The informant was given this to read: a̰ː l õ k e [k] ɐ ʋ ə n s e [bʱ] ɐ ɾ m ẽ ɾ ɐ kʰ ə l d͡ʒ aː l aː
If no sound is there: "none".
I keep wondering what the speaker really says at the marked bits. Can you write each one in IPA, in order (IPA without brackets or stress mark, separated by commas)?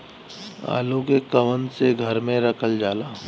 k, ɡʱ